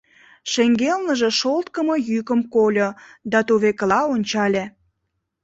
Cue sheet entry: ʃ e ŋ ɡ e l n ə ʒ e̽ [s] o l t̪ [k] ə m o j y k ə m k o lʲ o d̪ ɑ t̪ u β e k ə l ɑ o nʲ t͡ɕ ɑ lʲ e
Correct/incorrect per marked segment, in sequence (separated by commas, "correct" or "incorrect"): incorrect, correct